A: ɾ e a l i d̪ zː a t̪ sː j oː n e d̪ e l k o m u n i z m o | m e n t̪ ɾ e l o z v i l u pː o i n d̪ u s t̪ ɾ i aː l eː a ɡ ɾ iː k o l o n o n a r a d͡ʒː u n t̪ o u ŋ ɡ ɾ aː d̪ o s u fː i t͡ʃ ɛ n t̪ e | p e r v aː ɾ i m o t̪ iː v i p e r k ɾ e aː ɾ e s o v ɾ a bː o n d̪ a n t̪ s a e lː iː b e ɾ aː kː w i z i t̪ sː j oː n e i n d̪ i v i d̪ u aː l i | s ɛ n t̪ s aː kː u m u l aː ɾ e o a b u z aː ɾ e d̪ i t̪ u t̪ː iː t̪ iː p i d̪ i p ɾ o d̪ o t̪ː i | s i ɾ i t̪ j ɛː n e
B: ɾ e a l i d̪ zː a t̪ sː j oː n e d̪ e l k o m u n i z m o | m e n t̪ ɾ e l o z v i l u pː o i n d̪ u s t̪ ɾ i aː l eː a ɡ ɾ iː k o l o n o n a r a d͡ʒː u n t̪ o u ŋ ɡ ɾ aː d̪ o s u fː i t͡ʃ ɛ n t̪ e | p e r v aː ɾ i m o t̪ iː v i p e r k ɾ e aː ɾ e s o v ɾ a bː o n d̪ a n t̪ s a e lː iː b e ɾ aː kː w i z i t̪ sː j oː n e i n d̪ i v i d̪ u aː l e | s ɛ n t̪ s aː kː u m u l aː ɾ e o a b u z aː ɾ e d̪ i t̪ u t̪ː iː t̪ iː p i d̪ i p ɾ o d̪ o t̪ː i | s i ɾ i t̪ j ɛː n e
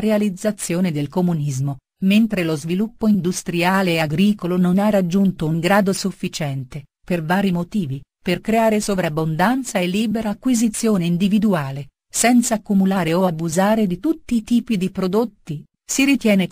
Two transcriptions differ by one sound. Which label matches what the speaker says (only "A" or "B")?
B